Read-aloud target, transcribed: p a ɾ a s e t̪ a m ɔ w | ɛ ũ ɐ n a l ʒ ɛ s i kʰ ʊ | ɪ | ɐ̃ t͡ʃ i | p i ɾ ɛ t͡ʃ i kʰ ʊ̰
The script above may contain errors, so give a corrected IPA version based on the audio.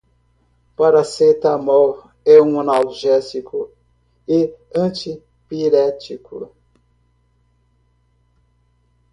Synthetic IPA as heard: p a ɾ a s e t̪ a m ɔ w | ɛ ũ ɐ n a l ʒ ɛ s i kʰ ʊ | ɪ | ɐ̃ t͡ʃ i | p i ɾ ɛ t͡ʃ i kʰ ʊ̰